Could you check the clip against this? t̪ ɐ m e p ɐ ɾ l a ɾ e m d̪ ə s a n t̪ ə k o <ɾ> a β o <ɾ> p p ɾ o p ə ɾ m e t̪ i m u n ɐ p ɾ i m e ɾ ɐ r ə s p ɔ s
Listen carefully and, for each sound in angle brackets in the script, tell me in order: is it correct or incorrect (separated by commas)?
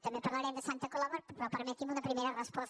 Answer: incorrect, correct